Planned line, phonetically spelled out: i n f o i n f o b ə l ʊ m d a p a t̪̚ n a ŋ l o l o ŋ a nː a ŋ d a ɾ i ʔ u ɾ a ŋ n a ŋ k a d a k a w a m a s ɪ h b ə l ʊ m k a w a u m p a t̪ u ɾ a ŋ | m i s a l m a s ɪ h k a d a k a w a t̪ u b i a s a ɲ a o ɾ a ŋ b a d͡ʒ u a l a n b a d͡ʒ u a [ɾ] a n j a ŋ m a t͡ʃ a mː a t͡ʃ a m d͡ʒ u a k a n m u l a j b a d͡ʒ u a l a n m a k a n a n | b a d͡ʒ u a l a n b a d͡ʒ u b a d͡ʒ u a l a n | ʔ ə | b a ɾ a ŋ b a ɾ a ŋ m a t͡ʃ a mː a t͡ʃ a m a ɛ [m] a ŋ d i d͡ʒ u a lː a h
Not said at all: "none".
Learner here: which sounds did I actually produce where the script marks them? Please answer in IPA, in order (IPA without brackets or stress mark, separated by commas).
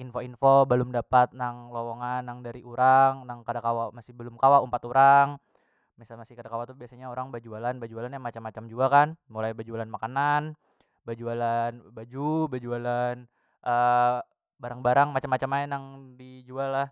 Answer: l, n